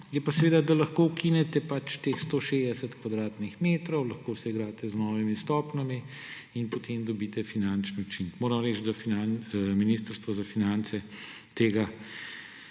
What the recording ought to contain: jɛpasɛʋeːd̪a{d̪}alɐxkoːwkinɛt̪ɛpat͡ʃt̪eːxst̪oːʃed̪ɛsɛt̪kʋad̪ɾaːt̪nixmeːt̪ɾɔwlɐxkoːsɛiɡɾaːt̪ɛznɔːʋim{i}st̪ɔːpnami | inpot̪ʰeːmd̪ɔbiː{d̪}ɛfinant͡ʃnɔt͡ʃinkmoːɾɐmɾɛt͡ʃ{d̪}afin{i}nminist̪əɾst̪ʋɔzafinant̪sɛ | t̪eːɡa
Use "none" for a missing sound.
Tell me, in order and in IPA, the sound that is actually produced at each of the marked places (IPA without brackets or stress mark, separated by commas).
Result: d̪, i, t̪, d̪, a